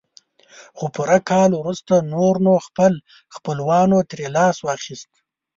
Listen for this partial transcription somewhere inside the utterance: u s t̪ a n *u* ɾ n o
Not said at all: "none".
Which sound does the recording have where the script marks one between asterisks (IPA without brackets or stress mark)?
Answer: o